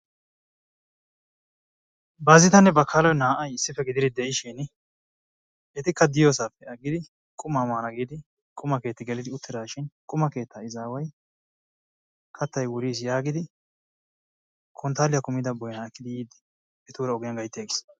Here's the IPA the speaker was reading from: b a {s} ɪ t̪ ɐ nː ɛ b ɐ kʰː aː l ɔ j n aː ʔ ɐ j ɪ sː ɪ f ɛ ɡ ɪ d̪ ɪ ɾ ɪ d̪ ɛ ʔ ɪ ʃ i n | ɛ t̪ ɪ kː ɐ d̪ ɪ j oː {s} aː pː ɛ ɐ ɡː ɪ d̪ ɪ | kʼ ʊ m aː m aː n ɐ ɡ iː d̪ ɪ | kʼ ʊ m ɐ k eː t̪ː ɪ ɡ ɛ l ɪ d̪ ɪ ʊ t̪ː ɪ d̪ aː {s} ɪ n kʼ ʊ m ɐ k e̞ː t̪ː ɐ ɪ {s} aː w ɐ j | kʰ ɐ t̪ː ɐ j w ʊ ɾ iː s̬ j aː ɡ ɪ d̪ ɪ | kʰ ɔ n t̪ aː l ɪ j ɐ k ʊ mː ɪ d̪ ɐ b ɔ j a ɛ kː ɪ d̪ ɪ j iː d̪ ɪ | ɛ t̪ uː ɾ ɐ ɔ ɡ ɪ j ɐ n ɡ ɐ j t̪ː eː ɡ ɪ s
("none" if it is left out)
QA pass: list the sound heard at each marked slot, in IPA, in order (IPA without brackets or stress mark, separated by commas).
z, s, ʃ, z